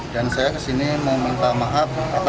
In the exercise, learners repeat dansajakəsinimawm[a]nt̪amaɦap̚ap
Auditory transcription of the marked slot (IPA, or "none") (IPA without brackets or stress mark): i